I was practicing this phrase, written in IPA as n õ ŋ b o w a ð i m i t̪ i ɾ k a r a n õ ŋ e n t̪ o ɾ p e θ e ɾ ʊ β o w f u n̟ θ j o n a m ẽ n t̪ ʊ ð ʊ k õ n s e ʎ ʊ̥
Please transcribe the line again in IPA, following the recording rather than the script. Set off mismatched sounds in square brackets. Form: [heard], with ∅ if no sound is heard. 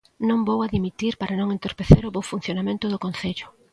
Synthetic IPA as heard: n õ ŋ b o w a ð i m i t̪ i ɾ [p] a [ɾ] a n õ ŋ e n t̪ o ɾ p e θ e ɾ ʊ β o w f u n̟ θ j o n a m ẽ n t̪ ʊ ð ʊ k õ n [θ] e ʎ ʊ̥